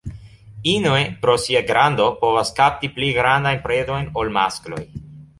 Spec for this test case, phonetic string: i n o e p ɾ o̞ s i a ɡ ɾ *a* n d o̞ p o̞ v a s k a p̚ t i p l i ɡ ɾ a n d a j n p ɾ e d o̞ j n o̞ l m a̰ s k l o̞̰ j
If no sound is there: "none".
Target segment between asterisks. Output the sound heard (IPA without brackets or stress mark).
a